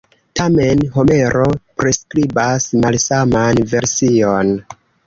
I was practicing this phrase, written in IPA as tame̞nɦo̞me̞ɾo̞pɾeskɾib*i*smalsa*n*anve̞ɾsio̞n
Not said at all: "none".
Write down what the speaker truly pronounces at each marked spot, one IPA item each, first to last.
a, m

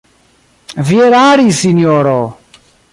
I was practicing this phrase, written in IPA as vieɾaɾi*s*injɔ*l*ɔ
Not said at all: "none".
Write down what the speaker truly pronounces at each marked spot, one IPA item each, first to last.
s, ɾ

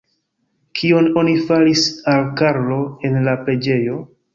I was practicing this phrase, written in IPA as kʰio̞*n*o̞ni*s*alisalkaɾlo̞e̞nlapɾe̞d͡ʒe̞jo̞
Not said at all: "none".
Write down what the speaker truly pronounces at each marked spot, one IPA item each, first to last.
n, f

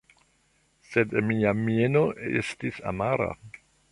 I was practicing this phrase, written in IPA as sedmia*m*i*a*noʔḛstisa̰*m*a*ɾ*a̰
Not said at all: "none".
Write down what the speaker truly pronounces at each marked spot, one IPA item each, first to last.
m, e, m, ɾ

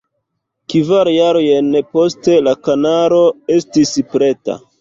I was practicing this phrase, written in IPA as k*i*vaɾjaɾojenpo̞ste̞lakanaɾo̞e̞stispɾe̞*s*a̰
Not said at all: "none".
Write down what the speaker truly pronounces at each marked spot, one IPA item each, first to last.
i, t

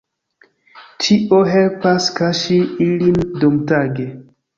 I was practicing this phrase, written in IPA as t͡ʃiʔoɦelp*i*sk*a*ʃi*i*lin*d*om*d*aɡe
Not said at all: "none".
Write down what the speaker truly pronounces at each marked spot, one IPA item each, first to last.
a, a, i, d, t

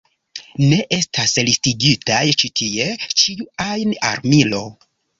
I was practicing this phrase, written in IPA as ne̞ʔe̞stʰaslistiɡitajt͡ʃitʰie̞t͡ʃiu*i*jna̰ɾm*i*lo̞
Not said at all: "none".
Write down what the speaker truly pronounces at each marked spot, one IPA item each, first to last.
a, i

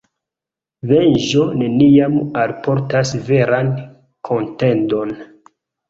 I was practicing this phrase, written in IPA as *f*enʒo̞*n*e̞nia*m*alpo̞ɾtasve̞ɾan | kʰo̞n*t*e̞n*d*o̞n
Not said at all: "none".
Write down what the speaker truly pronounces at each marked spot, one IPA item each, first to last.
v, n, m, t, d

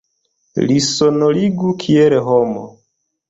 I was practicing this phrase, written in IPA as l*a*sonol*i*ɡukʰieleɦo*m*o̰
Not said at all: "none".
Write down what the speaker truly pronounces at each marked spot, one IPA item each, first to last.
i, i, m

